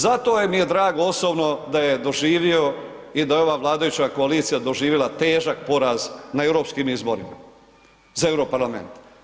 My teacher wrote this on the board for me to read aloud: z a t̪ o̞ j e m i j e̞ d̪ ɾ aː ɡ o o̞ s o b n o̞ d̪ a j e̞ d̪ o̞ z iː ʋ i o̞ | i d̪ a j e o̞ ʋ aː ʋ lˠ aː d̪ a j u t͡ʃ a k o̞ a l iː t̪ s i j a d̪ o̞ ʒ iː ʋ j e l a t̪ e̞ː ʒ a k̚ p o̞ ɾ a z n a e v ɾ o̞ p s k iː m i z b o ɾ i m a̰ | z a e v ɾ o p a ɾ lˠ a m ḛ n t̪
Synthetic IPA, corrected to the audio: z a t̪ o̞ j e m i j e̞ d̪ ɾ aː ɡ o o̞ s o b n o̞ d̪ a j e̞ d̪ o̞ ʒ iː ʋ i o̞ | i d̪ a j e o̞ ʋ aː ʋ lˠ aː d̪ a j u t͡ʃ a k o̞ a l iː t̪ s i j a d̪ o̞ ʒ iː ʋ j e l a t̪ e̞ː ʒ a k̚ p o̞ ɾ a z n a e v ɾ o̞ p s k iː m i z b o ɾ i m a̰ | z a e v ɾ o p a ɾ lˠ a m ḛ n t̪